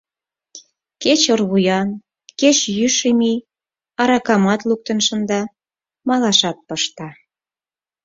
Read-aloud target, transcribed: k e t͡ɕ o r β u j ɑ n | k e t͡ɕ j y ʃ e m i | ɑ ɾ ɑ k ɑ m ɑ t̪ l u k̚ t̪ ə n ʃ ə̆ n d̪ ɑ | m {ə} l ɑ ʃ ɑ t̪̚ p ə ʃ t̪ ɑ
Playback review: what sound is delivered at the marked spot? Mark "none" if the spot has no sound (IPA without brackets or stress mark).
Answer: ɑ